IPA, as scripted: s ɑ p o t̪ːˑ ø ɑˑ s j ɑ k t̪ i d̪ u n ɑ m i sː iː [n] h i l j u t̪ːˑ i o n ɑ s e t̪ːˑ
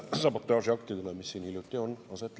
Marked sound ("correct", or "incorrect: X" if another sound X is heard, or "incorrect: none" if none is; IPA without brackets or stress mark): correct